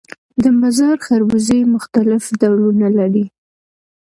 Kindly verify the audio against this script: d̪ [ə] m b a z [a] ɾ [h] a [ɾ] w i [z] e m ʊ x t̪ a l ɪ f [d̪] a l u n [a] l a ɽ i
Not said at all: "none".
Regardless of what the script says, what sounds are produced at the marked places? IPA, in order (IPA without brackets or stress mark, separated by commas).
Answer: ə, ɑ, x, ɾ, z, d̪, a